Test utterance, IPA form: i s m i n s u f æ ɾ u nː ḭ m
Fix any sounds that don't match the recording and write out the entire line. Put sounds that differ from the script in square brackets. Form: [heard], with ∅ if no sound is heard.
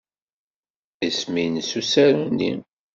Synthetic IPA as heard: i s m i n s u [s] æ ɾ u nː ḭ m